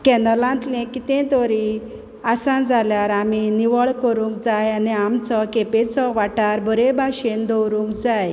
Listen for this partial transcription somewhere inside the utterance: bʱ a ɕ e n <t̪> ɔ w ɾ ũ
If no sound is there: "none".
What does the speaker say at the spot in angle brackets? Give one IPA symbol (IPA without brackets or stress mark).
d̪